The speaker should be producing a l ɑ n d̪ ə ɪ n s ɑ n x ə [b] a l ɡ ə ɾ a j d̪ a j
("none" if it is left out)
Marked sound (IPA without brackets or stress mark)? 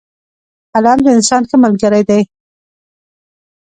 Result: m